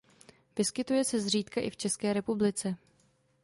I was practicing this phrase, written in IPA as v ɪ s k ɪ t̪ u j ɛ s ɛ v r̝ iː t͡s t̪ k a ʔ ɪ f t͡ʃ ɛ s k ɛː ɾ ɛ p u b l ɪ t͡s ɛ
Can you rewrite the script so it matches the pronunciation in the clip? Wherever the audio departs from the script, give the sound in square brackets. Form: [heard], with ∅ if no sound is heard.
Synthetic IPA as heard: v ɪ s k ɪ t̪ u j ɛ s ɛ [z] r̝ iː [∅] t̪ k a ʔ ɪ f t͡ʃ ɛ s k ɛː ɾ ɛ p u b l ɪ t͡s ɛ